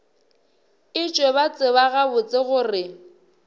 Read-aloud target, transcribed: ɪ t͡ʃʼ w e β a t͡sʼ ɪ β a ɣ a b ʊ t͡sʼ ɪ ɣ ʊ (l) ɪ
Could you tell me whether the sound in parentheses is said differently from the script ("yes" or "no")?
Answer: yes